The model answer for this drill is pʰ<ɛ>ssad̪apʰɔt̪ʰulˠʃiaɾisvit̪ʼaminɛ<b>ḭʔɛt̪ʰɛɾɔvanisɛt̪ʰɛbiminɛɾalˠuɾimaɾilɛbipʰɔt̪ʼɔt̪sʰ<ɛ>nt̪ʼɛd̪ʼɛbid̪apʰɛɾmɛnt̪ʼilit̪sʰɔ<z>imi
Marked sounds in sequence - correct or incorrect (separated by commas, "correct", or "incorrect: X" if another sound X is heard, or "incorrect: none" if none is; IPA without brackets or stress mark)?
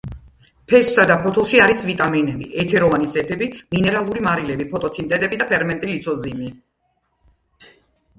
correct, correct, incorrect: i, correct